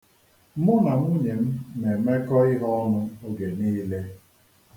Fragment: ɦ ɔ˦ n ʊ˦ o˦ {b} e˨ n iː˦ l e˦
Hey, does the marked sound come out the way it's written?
no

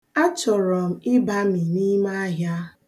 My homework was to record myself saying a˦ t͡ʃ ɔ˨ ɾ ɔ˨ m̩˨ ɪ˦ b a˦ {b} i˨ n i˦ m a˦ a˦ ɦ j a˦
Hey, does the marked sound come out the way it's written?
no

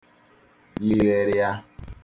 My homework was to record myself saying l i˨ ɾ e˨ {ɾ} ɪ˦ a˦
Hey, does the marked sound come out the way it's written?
yes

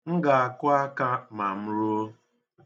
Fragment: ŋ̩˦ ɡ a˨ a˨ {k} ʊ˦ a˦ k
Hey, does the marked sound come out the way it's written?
yes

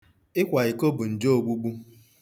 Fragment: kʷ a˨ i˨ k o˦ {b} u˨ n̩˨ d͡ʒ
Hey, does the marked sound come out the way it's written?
yes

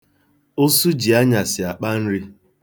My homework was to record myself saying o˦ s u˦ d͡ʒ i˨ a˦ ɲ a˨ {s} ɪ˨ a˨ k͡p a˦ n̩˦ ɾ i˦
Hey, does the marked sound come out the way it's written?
yes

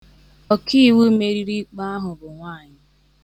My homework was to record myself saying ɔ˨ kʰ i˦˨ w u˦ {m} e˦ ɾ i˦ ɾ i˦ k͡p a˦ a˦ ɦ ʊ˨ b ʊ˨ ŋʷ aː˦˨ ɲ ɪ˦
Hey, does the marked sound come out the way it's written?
yes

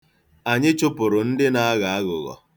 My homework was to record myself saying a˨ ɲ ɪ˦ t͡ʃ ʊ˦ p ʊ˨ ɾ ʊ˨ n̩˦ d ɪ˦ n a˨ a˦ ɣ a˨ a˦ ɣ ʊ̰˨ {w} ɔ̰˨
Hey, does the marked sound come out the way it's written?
no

